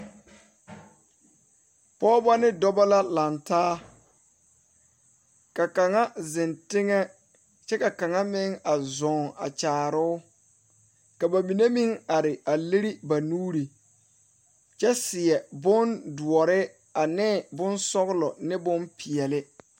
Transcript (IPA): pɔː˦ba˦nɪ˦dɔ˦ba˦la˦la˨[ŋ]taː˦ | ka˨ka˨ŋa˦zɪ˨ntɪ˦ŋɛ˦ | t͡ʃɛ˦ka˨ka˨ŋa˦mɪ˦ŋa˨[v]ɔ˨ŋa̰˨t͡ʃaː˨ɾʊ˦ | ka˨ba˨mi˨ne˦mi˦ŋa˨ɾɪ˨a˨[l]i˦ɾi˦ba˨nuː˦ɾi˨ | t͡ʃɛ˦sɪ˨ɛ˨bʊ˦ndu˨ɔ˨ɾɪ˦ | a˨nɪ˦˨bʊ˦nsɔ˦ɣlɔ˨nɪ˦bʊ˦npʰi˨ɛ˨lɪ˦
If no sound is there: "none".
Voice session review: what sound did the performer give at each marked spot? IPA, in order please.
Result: n, z, l

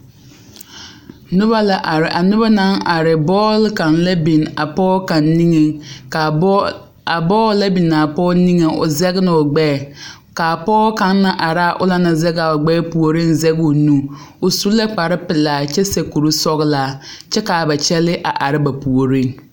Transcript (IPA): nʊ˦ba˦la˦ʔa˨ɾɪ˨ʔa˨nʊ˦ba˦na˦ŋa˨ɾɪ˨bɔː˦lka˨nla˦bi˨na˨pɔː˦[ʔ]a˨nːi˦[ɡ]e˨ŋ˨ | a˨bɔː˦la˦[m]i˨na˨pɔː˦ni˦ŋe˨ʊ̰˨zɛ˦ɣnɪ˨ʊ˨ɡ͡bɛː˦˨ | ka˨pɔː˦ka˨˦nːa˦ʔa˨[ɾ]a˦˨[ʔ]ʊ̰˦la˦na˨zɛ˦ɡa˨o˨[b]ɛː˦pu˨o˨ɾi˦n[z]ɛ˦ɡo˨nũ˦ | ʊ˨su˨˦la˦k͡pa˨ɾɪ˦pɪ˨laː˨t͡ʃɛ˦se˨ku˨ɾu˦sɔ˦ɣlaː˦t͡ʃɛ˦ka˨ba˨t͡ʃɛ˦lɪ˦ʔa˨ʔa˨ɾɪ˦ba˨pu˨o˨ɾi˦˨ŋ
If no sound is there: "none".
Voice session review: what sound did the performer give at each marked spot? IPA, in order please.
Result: k, ŋ, b, ɾ, ʔ, ɡ͡b, z

